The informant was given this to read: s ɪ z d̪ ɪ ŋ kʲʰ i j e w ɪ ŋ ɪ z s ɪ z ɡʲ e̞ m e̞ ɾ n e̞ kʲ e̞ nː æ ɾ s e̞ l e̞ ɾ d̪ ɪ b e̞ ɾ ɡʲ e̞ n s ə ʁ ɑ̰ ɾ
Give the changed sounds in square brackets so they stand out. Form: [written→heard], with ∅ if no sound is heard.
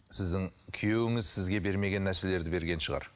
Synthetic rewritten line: s ɪ z d̪ ɪ ŋ kʲʰ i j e w ɪ ŋ ɪ z s ɪ z ɡʲ e̞ [m→b] e̞ ɾ [n→m] e̞ [kʲ→ɡʲ] e̞ nː æ ɾ s e̞ l e̞ ɾ d̪ ɪ b e̞ ɾ ɡʲ e̞ n [s→ʃ] ə ʁ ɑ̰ ɾ

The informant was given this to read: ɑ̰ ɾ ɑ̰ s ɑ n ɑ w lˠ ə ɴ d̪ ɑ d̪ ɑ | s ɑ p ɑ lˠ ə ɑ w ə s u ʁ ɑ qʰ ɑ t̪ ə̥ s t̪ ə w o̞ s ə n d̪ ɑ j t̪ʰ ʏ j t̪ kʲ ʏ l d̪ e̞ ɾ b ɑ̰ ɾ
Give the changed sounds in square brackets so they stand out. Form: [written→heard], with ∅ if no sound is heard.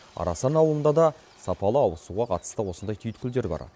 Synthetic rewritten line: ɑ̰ ɾ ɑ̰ s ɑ n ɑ w lˠ ə [ɴ→n] d̪ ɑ d̪ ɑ | s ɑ p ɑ lˠ ə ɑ w ə s u ʁ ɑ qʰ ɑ t̪ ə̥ s t̪ ə w o̞ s ə n d̪ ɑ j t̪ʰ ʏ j t̪ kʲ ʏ l d̪ e̞ ɾ b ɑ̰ ɾ

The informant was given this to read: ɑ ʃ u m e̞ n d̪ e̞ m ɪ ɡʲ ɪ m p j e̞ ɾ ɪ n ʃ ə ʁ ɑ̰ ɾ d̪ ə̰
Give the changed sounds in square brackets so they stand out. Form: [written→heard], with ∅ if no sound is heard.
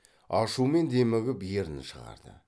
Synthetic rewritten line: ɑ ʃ u m e̞ n d̪ e̞ m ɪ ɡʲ ɪ [m→∅] p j e̞ ɾ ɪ n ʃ ə ʁ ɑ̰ ɾ d̪ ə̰

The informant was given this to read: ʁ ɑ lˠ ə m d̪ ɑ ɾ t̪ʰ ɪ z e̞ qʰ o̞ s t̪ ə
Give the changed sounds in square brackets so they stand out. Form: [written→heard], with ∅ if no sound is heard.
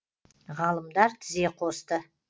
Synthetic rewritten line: ʁ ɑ lˠ ə m d̪ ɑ ɾ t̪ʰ ɪ z e̞ qʰ o̞ s t̪ ə

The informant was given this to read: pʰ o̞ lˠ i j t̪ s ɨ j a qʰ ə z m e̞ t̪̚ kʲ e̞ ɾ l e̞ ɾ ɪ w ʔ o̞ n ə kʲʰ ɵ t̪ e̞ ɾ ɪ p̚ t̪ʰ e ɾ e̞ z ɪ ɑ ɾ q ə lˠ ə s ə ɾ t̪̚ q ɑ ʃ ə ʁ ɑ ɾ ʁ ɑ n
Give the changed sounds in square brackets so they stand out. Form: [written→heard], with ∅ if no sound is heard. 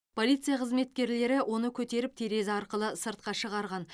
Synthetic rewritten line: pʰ o̞ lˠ i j t̪ s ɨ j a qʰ ə z m e̞ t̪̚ kʲ e̞ ɾ l e̞ ɾ ɪ w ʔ o̞ n ə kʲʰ ɵ t̪ e̞ ɾ ɪ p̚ t̪ʰ e ɾ e̞ z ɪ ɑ ɾ q ə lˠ ə s ə ɾ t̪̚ q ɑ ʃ ə ʁ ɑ ɾ ʁ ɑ n

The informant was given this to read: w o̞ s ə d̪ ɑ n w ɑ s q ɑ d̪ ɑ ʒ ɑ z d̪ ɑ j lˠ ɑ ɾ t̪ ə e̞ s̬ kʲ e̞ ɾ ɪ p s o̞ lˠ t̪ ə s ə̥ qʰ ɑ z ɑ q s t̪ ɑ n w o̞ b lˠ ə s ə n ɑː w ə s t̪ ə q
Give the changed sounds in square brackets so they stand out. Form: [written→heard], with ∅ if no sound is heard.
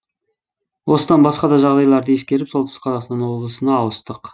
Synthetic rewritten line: w o̞ s ə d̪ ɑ n [w→b] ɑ s q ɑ d̪ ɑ ʒ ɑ [z→ʁ] d̪ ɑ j lˠ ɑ ɾ [t̪→d̪] ə e̞ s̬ kʲ e̞ ɾ ɪ p s o̞ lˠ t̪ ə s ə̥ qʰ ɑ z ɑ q s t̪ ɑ n w o̞ b lˠ ə s ə n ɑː w ə s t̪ ə q

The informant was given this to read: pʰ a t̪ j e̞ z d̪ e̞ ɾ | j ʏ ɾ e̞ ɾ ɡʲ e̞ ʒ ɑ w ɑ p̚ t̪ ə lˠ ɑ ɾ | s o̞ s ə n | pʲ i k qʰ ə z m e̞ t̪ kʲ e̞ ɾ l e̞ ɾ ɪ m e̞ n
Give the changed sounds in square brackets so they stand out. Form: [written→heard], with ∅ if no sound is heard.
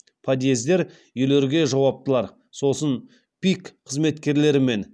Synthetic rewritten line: pʰ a [t̪→d̪] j e̞ z d̪ e̞ ɾ | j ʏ [ɾ→l] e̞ ɾ ɡʲ e̞ ʒ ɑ w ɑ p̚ t̪ ə lˠ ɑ ɾ | s o̞ s ə n | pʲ i k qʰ ə z m e̞ t̪ kʲ e̞ ɾ l e̞ ɾ ɪ m e̞ n

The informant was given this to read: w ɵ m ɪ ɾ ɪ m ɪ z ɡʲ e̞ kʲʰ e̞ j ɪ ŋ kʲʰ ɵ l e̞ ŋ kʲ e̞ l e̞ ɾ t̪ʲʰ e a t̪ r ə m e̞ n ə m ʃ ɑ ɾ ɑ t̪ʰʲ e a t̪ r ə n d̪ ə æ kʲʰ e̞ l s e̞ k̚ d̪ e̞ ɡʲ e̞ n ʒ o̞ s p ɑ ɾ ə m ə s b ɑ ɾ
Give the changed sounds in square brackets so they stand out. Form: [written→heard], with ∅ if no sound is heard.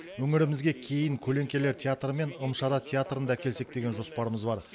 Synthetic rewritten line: w ɵ [m→ŋ] ɪ ɾ ɪ m ɪ z ɡʲ e̞ kʲʰ e̞ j ɪ ŋ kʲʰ ɵ l e̞ ŋ kʲ e̞ l e̞ ɾ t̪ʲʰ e a t̪ r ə m e̞ n ə m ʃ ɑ ɾ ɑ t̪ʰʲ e a t̪ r ə n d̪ [ə→ɑ] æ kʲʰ e̞ l s e̞ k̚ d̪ e̞ ɡʲ e̞ n ʒ o̞ s p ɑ ɾ ə m ə [s→z] b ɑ ɾ

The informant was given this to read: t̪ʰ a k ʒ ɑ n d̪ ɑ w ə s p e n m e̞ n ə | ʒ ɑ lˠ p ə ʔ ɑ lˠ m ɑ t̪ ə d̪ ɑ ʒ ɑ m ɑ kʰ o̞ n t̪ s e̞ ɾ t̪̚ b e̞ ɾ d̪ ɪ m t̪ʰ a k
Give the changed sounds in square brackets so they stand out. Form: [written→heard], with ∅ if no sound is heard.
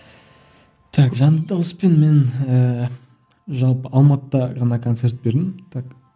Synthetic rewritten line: t̪ʰ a k ʒ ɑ n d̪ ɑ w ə s p e n m e̞ n ə | ʒ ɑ lˠ p ə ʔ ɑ lˠ m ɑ t̪ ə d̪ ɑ [ʒ→ʁ] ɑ [m→n] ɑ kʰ o̞ n t̪ s e̞ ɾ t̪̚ b e̞ ɾ d̪ ɪ m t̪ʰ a k

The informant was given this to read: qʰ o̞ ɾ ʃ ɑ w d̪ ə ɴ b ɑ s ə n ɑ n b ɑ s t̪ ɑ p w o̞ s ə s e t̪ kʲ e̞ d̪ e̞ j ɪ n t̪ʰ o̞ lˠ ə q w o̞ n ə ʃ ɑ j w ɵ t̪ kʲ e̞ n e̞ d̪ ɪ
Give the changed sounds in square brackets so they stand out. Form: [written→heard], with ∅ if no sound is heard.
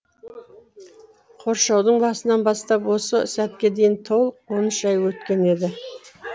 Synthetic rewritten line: qʰ o̞ ɾ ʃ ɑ w d̪ ə ɴ b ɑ s ə n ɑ n b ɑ s t̪ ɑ p w o̞ s ə s [e→æ] t̪ kʲ e̞ d̪ e̞ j ɪ n t̪ʰ o̞ lˠ ə q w o̞ n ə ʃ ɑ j w ɵ t̪ kʲ e̞ n e̞ d̪ ɪ

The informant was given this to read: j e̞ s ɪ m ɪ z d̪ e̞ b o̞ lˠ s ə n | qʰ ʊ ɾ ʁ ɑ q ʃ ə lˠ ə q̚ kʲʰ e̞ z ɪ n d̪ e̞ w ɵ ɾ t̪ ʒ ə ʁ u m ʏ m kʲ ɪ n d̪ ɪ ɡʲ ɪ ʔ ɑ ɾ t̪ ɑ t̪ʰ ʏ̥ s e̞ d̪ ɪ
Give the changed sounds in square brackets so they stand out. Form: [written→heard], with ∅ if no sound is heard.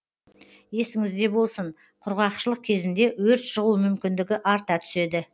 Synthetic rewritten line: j e̞ s ɪ [m→ŋ] ɪ z d̪ e̞ b o̞ lˠ s ə [n→ɴ] | qʰ ʊ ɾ ʁ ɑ q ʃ ə lˠ ə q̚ kʲʰ e̞ z ɪ n d̪ e̞ w ɵ ɾ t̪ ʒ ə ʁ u m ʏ m kʲ ɪ n d̪ ɪ ɡʲ ɪ ʔ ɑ ɾ t̪ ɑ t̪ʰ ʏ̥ s e̞ d̪ ɪ

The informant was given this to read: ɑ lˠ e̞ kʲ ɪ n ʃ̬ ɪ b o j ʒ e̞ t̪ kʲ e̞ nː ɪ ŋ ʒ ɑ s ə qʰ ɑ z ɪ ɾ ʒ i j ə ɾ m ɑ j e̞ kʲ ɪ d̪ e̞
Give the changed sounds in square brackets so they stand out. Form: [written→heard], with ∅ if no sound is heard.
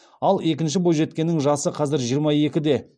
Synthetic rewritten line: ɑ lˠ e̞ kʲ ɪ n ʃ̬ ɪ b o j ʒ e̞ t̪ kʲ e̞ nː ɪ ŋ ʒ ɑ s ə qʰ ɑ z ɪ ɾ ʒ i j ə ɾ m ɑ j e̞ kʲ ɪ d̪ e̞

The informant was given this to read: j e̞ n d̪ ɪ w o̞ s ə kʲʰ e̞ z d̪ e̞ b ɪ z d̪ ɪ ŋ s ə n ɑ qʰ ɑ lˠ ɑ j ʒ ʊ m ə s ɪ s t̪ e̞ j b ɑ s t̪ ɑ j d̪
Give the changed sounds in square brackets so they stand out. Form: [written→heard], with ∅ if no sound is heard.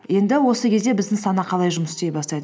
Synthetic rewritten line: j e̞ n d̪ ɪ w o̞ s ə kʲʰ e̞ z d̪ e̞ b ɪ z d̪ ɪ ŋ s [ə→ɑ] n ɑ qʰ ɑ lˠ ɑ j ʒ ʊ m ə s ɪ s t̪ e̞ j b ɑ s t̪ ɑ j d̪

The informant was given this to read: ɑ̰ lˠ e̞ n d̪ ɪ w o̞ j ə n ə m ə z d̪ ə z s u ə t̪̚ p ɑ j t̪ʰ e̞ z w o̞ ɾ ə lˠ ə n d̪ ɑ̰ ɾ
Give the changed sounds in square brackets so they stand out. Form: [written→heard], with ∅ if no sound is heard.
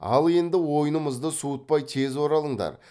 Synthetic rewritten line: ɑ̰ lˠ e̞ n d̪ ɪ w o̞ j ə n ə m ə z d̪ ə [z→∅] s u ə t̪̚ p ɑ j t̪ʰ e̞ z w o̞ ɾ [ə→ɑ] lˠ ə [n→ɴ] d̪ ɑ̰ ɾ

